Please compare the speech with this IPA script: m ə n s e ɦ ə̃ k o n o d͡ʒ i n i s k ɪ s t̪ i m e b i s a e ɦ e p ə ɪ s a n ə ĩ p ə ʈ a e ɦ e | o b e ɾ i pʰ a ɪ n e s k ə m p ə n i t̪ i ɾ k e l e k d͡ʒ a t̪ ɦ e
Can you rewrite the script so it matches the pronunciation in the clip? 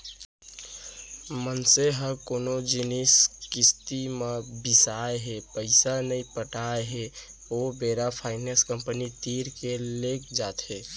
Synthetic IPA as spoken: m ə n s e ɦ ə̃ k o n o d͡ʒ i n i s k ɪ s t̪ i m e b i s a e ɦ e p ə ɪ s a n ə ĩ p ə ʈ a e ɦ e | o b e ɾ a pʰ a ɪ n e s k ə m p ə n i t̪ i ɾ k e l e k d͡ʒ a t̪ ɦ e